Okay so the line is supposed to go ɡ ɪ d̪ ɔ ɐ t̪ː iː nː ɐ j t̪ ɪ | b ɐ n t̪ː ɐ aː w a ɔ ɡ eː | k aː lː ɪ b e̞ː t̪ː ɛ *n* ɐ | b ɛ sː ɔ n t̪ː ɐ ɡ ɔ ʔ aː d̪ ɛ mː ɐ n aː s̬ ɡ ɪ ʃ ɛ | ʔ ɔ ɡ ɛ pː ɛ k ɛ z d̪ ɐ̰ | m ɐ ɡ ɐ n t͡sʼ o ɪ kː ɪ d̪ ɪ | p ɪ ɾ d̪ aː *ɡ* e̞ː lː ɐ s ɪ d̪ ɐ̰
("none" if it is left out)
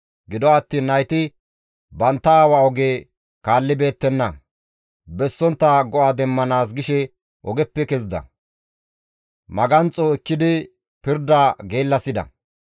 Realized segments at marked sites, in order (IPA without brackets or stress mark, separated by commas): nː, ɡ